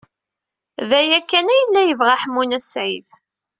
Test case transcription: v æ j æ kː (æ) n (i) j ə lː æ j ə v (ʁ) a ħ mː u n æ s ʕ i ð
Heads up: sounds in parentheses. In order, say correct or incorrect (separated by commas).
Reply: correct, incorrect, correct